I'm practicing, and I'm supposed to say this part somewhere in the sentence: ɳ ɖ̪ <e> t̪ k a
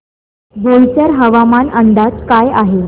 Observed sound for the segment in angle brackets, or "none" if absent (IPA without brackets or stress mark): a